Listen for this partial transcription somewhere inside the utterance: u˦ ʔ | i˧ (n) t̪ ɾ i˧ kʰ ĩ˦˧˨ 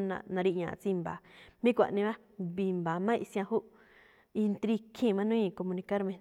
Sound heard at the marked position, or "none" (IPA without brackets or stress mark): n